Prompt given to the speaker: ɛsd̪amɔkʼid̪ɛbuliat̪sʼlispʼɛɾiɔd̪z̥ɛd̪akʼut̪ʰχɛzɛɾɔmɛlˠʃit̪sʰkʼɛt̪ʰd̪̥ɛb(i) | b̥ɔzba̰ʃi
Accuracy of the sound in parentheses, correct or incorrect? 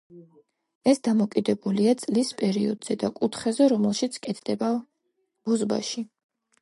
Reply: incorrect